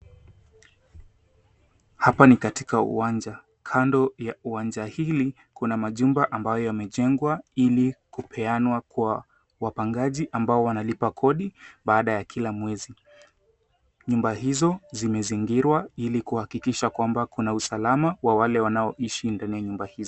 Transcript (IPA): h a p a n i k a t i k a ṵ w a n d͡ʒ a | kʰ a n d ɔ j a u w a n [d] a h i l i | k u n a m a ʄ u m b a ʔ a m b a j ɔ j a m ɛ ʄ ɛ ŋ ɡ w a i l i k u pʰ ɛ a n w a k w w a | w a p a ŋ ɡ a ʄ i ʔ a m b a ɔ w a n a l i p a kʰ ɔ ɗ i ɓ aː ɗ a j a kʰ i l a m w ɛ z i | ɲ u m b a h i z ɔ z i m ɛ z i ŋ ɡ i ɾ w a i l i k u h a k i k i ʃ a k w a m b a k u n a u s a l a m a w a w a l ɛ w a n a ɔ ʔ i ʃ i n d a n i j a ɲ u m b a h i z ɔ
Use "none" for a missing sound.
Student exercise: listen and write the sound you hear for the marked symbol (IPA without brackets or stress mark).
d͡ʒ